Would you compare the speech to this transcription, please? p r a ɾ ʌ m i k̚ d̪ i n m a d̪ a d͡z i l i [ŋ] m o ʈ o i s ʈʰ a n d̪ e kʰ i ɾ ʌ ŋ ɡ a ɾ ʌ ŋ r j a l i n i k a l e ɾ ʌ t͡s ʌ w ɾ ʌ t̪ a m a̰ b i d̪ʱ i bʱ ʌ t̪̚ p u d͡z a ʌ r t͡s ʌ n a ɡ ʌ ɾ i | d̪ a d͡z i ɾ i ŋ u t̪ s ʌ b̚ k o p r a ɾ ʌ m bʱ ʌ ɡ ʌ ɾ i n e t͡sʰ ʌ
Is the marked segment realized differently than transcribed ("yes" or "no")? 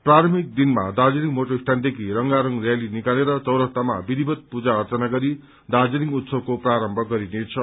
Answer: no